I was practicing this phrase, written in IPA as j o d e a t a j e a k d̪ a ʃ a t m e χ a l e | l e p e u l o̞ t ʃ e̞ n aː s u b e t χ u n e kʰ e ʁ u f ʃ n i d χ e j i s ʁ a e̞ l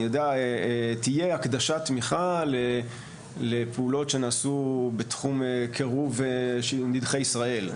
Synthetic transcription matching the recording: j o d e a t i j e a k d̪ a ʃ a t m i χ a l e | l e p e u l o̞ t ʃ e̞ n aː s u b e t χ u m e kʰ e ʁ u v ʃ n i d χ e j i s ʁ a e̞ l